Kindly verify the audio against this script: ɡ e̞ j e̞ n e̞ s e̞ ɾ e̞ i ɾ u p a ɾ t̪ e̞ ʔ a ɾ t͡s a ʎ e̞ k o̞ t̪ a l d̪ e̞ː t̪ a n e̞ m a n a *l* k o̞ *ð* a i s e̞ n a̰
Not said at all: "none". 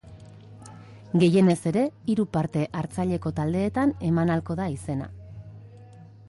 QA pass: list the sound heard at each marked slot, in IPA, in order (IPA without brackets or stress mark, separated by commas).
l, ð